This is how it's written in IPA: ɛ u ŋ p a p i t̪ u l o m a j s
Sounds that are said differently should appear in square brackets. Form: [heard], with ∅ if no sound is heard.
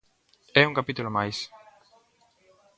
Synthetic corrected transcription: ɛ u ŋ [k] a p i t̪ u l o m a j s